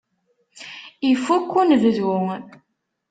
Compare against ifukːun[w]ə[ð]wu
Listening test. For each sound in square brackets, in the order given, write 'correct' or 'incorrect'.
incorrect: v, correct

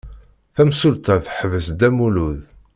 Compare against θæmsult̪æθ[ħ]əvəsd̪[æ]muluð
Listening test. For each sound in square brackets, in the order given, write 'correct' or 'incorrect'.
correct, correct

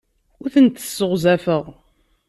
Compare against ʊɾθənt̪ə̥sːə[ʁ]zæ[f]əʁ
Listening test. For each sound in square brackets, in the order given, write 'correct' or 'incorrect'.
correct, correct

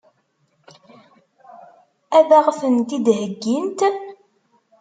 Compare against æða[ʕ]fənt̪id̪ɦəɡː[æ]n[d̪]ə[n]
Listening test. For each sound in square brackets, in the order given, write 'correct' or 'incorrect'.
incorrect: ʁ, incorrect: i, incorrect: t̪, correct

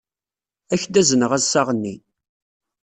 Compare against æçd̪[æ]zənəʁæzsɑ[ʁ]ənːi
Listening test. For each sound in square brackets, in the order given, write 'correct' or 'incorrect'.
correct, correct

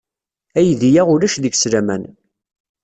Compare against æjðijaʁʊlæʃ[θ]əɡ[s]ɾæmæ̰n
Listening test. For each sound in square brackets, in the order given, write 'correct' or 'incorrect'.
incorrect: ð, correct

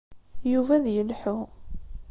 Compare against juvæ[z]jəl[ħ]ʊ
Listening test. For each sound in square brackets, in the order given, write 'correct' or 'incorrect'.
incorrect: ð, correct

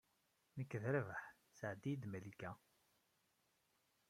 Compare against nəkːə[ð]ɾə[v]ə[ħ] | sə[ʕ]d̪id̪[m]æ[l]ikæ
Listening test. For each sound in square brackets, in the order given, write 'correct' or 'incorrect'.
correct, correct, correct, correct, correct, correct

